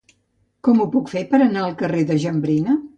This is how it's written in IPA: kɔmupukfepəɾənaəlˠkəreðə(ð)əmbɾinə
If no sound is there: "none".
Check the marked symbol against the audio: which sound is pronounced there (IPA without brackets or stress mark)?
ʒ